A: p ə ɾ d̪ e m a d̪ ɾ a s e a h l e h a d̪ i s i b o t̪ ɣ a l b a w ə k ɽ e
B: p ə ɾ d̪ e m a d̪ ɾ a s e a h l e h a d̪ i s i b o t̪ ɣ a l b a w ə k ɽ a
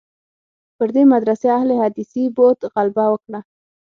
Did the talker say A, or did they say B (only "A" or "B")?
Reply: B